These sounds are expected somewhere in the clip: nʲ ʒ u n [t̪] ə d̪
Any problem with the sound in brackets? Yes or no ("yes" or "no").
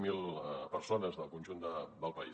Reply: yes